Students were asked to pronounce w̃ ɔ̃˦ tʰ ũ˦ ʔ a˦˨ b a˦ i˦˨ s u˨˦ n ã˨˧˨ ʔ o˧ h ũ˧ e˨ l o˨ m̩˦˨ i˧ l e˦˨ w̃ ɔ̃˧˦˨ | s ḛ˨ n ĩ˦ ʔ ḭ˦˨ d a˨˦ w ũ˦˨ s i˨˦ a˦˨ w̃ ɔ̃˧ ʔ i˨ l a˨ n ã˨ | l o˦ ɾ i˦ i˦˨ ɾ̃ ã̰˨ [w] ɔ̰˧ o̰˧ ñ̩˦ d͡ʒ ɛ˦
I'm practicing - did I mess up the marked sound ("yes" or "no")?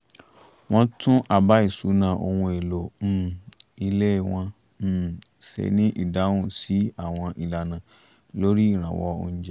no